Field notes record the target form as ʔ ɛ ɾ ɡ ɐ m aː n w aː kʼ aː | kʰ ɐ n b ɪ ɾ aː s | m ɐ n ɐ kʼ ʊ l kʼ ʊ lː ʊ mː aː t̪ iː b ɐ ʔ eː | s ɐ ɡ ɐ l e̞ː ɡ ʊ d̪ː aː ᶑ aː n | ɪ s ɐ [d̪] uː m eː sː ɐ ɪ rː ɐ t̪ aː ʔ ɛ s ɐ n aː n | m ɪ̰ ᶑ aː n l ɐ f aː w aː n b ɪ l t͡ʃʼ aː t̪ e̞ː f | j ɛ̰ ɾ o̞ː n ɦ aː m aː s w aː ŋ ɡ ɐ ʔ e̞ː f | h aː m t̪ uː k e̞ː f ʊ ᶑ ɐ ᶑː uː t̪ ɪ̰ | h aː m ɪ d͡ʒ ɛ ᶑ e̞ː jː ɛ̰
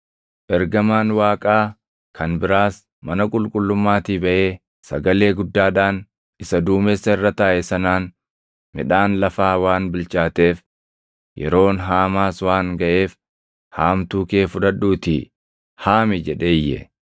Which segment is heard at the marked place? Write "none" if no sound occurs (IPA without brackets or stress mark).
d̪